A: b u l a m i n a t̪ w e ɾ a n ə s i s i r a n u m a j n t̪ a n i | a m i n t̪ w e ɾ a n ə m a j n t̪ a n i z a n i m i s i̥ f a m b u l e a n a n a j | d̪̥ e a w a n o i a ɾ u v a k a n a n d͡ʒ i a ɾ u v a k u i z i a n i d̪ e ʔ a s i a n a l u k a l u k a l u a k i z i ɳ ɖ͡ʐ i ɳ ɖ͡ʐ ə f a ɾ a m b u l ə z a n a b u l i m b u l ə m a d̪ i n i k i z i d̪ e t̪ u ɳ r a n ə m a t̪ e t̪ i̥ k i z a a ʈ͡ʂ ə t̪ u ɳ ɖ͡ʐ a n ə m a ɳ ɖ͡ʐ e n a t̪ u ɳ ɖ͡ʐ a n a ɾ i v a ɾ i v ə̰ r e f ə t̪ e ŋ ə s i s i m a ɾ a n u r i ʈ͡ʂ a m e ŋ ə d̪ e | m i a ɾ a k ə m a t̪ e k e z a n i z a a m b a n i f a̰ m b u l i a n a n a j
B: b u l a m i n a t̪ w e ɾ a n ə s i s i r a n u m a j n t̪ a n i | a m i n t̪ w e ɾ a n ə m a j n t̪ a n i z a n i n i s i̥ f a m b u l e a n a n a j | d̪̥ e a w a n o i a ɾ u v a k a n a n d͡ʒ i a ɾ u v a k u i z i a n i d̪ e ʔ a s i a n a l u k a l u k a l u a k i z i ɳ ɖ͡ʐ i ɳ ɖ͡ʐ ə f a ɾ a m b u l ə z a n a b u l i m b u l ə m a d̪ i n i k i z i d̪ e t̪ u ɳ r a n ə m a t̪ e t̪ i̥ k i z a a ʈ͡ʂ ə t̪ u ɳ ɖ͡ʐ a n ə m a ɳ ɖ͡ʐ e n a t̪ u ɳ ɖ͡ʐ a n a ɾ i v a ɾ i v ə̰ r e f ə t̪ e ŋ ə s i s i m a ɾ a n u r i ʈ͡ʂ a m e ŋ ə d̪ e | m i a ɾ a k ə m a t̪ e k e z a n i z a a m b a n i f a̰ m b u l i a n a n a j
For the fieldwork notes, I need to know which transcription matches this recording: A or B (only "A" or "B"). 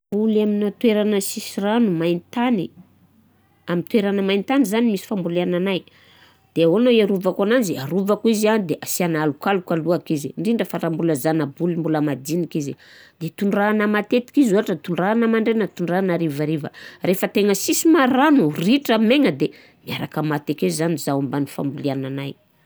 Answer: A